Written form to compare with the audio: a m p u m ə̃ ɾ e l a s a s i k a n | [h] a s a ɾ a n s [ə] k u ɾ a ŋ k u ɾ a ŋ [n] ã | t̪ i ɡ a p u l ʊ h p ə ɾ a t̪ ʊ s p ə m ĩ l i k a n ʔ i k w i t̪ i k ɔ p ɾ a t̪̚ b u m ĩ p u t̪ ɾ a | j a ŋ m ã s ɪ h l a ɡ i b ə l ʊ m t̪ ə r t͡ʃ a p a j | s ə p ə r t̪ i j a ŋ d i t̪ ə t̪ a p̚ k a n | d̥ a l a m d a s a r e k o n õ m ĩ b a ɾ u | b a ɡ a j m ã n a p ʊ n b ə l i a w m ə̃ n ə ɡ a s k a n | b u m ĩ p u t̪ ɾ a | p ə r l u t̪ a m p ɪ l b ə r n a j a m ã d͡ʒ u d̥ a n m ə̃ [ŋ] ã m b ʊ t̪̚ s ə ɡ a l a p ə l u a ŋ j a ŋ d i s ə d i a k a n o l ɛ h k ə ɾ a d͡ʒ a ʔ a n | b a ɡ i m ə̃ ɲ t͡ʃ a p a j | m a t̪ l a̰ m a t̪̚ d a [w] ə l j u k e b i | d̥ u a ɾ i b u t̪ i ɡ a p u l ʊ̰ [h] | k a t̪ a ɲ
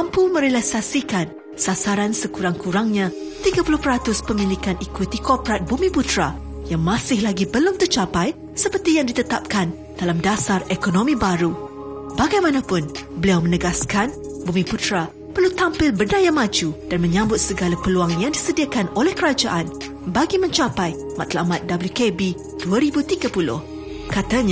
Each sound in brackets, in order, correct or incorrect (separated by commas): incorrect, correct, incorrect, incorrect, incorrect, correct